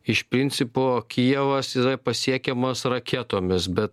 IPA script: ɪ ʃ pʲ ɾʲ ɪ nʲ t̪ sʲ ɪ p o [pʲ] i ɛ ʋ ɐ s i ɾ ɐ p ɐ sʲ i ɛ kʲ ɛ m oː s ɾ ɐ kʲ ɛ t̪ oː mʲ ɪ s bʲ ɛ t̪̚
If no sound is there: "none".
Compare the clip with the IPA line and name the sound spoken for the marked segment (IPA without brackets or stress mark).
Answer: kʲ